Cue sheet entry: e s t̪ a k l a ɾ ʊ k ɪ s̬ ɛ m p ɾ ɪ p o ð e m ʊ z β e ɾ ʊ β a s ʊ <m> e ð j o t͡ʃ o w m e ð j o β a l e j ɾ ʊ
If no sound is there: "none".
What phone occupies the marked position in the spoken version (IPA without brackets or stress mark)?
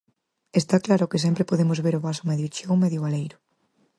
m